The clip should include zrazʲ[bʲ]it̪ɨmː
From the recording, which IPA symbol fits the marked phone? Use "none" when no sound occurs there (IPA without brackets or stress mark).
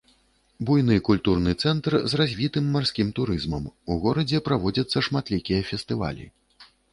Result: vʲ